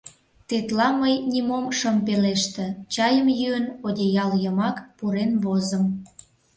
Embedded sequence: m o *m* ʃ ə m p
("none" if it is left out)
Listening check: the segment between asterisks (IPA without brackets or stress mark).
m